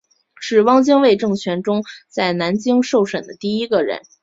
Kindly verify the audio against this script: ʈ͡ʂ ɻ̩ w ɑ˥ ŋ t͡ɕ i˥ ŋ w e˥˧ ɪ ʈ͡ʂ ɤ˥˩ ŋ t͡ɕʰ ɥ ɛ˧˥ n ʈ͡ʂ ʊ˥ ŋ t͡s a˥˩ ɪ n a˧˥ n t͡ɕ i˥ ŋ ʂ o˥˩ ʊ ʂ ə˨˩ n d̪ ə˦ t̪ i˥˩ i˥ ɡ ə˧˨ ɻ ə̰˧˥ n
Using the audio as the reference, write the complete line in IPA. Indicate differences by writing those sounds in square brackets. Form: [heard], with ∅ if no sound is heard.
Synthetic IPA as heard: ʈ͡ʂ ɻ̩ w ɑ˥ ŋ t͡ɕ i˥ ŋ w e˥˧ ɪ ʈ͡ʂ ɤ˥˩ ŋ t͡ɕʰ ɥ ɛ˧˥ n ʈ͡ʂ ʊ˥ ŋ t͡s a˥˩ ɪ n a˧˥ n t͡ɕ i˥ ŋ ʂ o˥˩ ʊ ʂ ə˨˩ n d̪ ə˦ t̪ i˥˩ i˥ ɡ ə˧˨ ɻ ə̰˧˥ n